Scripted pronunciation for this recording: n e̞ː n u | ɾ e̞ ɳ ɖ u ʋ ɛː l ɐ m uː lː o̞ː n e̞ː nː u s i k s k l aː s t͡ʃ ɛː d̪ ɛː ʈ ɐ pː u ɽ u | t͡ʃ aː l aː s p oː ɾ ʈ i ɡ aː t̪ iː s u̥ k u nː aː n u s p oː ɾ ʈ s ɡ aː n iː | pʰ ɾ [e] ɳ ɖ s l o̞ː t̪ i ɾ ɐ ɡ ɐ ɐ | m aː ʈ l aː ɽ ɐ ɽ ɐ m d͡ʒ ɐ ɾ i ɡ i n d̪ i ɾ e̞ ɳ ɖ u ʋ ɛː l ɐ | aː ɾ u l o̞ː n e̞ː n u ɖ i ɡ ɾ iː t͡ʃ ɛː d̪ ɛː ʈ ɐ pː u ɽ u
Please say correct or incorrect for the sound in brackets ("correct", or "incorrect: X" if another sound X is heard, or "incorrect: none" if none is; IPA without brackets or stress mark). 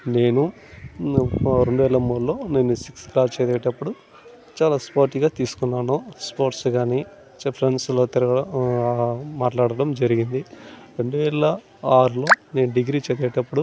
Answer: correct